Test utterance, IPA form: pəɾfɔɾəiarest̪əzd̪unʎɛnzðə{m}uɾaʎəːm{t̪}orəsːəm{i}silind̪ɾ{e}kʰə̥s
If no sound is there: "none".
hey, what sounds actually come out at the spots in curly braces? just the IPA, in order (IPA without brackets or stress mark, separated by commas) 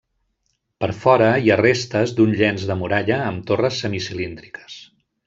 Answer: m, t̪, i, i